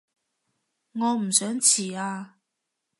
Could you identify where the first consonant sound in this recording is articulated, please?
velar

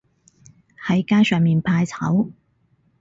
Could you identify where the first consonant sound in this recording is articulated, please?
glottal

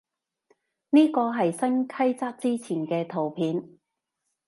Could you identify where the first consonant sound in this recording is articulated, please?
alveolar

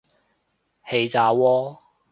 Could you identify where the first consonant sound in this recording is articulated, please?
glottal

